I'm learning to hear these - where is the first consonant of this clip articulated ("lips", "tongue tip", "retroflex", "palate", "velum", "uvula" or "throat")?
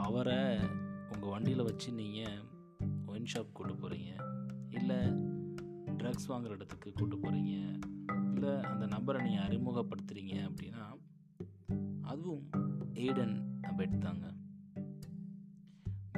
lips